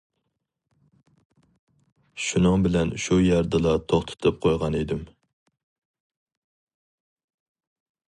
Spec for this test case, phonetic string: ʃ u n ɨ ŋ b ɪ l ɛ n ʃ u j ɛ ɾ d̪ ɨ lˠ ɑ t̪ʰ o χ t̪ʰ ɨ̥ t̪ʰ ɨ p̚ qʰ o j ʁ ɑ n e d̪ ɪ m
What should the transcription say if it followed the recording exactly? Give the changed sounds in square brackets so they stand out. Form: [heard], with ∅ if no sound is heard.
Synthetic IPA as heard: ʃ u n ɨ ŋ b ɪ l ɛ n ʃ u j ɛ ɾ d̪ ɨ lˠ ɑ t̪ʰ o χ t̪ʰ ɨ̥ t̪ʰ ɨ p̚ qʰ o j ʁ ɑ n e d̪ ɪ m